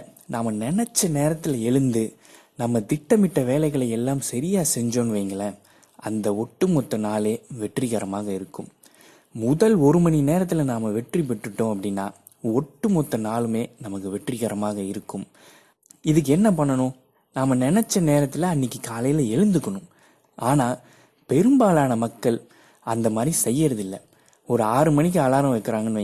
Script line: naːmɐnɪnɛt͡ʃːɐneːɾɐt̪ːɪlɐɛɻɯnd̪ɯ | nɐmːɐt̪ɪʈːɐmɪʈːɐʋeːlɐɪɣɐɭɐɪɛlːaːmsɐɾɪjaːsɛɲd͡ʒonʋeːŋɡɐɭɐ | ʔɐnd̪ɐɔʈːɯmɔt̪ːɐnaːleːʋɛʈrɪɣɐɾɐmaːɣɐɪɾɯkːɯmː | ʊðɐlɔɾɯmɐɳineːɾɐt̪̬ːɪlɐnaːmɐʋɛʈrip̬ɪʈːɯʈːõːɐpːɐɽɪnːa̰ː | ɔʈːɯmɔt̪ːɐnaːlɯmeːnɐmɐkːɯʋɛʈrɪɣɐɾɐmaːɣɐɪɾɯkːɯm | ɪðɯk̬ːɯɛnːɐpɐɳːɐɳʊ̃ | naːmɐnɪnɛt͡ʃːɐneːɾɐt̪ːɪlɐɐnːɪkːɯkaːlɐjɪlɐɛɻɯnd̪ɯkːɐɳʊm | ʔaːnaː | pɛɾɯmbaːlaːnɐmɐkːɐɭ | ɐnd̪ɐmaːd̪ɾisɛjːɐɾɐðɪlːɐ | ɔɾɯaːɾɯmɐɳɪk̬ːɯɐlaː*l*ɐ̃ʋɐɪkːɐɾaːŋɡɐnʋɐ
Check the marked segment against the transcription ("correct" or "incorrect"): incorrect